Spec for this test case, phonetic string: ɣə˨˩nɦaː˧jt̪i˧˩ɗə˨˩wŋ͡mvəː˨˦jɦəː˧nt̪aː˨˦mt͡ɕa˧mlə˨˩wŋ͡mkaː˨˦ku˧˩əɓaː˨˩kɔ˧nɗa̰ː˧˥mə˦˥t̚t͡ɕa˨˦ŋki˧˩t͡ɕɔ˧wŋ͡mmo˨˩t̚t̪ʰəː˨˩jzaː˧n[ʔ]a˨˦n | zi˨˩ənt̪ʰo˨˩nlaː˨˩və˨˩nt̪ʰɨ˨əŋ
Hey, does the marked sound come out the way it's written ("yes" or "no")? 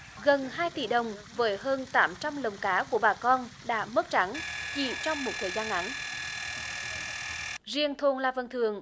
yes